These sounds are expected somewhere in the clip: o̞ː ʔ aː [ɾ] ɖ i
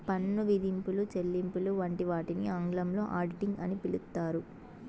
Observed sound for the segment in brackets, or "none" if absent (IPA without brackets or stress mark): ɾ